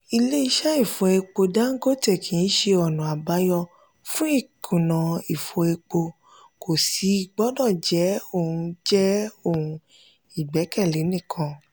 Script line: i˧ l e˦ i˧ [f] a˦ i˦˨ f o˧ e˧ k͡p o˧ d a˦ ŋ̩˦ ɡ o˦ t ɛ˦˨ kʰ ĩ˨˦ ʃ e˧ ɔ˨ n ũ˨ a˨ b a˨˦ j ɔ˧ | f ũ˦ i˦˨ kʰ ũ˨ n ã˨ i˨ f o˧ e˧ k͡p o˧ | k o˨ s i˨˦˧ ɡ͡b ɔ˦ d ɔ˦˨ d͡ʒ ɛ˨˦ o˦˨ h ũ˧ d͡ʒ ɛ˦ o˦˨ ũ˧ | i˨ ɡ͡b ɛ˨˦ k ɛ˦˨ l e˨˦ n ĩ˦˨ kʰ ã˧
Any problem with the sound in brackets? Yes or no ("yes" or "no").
yes